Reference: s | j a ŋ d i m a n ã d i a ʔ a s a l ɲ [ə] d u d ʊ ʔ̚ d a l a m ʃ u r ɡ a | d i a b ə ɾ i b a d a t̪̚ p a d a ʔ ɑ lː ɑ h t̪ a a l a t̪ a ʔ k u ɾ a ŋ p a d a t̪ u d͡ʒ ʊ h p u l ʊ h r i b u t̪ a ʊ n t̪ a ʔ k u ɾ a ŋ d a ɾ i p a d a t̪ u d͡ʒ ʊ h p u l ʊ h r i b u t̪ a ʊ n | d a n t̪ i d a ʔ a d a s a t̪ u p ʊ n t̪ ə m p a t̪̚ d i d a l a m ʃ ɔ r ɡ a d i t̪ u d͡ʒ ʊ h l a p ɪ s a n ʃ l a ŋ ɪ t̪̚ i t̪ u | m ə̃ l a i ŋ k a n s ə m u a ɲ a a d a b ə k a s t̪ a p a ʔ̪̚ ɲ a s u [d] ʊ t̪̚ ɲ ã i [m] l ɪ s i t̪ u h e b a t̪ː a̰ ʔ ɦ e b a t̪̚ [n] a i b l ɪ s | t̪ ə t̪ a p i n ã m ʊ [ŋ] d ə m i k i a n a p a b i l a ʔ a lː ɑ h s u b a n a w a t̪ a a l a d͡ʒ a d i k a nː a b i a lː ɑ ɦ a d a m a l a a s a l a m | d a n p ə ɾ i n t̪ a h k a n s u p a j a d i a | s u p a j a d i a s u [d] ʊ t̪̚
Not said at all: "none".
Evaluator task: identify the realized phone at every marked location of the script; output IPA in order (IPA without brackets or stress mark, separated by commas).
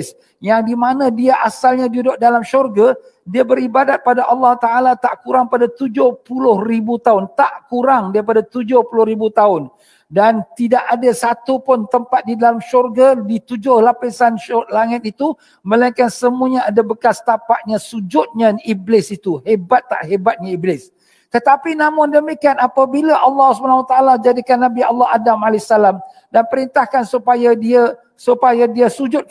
a, d͡ʒ, b, ɲ, n, d͡ʒ